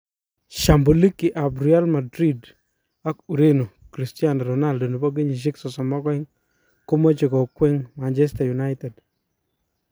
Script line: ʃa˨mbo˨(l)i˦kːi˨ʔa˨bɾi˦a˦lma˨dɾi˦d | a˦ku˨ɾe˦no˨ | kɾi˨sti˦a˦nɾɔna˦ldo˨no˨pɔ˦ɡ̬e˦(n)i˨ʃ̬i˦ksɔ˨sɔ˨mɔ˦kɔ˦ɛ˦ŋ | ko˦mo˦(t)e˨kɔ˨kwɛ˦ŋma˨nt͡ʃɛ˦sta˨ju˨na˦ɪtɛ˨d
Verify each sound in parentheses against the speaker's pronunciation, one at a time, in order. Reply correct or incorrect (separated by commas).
correct, incorrect, incorrect